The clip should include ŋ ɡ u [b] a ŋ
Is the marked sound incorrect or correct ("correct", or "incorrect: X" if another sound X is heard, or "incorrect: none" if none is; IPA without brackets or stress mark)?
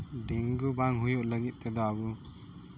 correct